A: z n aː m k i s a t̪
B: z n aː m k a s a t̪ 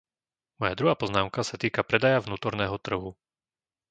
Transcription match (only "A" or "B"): B